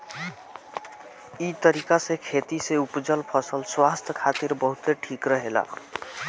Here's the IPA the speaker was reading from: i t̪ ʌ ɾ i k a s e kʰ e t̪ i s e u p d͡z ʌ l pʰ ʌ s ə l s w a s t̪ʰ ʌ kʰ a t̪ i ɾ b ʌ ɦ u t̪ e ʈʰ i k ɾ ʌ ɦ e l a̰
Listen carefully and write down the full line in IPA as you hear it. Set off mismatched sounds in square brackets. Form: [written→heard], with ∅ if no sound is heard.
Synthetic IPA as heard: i t̪ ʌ ɾ i k a s e kʰ e t̪ i s e u p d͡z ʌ l pʰ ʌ s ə l s w a s t̪ʰ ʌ kʰ a t̪ i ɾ b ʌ ɦ u t̪ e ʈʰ i k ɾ ʌ ɦ e l a̰